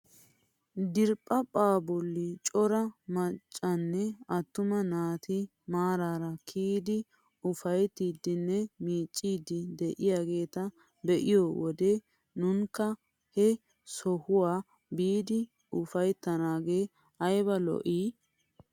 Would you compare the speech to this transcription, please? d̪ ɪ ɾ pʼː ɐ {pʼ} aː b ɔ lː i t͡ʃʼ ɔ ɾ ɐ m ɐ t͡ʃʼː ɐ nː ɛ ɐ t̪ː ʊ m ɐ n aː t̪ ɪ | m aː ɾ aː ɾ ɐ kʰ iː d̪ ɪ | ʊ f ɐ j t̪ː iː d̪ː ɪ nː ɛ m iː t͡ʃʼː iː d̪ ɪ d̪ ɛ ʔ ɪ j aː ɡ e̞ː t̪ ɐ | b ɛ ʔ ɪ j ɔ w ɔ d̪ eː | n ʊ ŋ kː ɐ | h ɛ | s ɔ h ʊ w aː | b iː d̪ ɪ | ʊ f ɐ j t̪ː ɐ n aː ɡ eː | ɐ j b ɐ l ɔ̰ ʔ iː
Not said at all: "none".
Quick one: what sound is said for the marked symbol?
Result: pʼ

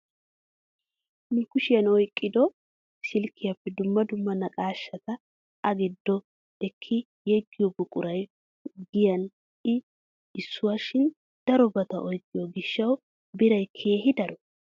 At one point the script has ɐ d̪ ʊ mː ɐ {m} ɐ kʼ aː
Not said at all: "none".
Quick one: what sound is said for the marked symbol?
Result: n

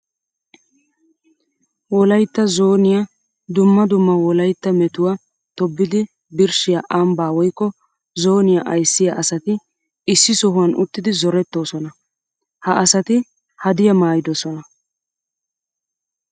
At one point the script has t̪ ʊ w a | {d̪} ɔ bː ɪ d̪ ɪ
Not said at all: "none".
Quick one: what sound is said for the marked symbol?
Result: t̪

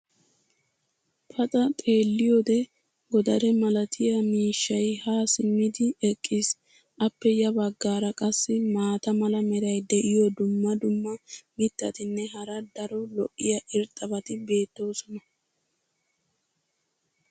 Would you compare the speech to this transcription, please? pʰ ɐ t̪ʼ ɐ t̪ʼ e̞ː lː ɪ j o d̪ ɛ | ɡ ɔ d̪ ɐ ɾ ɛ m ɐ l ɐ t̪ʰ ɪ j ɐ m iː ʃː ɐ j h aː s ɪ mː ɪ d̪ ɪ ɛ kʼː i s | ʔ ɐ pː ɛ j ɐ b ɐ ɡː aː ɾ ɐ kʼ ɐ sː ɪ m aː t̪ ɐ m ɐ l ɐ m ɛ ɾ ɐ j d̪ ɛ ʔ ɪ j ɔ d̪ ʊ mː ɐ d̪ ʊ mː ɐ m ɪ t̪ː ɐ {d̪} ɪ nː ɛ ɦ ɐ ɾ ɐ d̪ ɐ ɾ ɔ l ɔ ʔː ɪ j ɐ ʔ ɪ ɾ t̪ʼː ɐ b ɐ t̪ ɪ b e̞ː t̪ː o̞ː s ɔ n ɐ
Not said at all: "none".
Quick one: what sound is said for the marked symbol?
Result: t̪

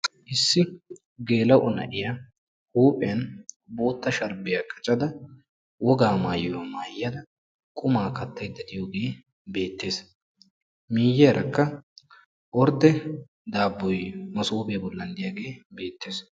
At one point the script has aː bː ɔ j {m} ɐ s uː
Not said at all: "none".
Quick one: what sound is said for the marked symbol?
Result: m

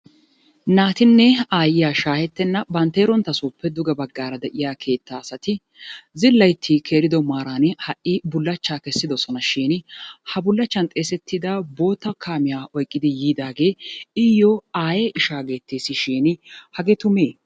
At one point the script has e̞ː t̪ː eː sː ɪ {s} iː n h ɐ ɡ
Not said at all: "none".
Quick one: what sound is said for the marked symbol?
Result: ʃ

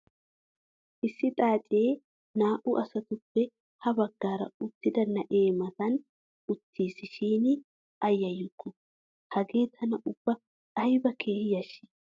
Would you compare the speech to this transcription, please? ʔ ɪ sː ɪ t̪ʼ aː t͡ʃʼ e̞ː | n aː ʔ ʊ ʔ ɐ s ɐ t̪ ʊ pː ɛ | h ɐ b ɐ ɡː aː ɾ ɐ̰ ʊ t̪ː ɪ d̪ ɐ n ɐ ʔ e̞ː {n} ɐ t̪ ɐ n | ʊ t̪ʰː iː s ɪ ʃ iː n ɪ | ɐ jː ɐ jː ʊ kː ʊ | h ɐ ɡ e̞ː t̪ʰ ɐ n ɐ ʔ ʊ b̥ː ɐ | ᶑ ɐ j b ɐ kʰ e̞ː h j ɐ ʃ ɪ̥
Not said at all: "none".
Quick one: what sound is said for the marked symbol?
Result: m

